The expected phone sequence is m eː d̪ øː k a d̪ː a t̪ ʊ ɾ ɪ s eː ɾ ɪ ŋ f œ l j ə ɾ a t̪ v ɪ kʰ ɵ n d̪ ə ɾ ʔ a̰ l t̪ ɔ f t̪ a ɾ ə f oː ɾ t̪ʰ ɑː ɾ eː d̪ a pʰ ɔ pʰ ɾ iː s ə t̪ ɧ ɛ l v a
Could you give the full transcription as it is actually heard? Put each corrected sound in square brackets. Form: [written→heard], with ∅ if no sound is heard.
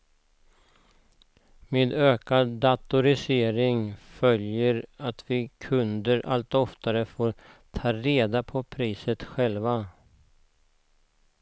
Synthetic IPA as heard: m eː d̪ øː k a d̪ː a t̪ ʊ ɾ ɪ s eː ɾ ɪ ŋ f œ l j ə ɾ a t̪ v ɪ kʰ ɵ n d̪ ə ɾ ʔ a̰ l t̪ ɔ f t̪ a ɾ ə f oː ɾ t̪ʰ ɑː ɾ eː d̪ a pʰ ɔ pʰ ɾ iː s ə t̪ ɧ ɛ l v a